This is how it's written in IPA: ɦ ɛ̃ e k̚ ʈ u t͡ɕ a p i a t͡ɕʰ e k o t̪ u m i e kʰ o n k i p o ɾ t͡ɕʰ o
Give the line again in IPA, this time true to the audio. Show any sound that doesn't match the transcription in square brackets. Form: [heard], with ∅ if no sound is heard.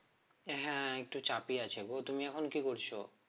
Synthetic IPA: ɦ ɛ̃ e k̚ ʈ u t͡ɕ a p i a t͡ɕʰ e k o t̪ u m i [ɛ] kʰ o n k i [k] o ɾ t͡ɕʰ o